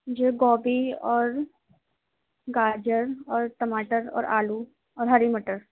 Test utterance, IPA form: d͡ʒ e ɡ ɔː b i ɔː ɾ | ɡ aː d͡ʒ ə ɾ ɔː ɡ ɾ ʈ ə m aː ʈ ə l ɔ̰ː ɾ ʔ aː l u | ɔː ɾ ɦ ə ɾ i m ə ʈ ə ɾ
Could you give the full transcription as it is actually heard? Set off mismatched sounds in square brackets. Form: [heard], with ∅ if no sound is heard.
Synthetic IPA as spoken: d͡ʒ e ɡ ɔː b i ɔː ɾ | ɡ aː d͡ʒ ə ɾ ɔː [∅] ɾ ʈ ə m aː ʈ ə [ɾ] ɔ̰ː ɾ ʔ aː l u | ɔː ɾ ɦ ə ɾ i m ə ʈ ə ɾ